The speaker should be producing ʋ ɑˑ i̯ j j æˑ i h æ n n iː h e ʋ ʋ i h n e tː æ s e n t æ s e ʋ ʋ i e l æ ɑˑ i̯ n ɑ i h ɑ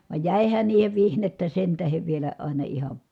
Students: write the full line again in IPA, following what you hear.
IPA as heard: ʋ ɑˑ i̯ j j æˑ i h æ n n iː h e ʋ ʋ i h n e tː æ s e n t æ h e ʋ ʋ i e l æ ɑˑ i̯ n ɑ i h ɑ